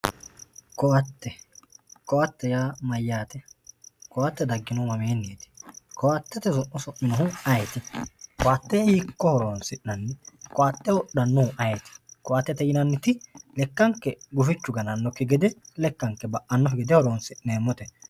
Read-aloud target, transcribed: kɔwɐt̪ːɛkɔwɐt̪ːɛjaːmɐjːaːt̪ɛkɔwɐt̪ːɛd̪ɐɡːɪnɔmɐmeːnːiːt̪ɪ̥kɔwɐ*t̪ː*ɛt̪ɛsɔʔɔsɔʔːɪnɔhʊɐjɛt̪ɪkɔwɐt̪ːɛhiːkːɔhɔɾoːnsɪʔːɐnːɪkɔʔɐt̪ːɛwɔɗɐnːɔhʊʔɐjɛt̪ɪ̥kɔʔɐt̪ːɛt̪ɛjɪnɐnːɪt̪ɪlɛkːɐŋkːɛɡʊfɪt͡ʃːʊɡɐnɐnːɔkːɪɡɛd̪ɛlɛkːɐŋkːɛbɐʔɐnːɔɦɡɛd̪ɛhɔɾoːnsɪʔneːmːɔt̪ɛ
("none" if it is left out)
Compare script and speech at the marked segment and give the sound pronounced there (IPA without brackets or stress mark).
t̪ː